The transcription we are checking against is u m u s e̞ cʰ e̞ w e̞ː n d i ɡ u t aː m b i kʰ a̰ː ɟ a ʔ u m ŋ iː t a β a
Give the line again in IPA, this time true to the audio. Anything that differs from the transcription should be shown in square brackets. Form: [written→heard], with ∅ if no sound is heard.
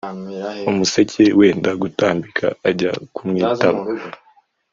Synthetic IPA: u m u s e̞ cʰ e̞ w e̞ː n d [i→a] ɡ u t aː m b i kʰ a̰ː ɟ a [ʔ→k] u m ŋ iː t a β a